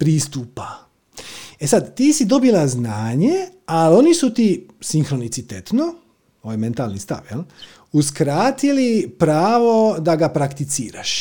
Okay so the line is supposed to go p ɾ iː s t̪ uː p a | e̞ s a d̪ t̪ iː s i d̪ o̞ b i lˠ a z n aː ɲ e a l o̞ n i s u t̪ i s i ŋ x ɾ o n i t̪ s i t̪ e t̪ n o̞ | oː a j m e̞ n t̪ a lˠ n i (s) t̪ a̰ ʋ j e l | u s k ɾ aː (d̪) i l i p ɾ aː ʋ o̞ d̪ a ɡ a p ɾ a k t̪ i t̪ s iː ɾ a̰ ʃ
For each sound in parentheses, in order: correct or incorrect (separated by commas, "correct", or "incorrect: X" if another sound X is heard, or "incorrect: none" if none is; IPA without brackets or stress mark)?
correct, incorrect: t̪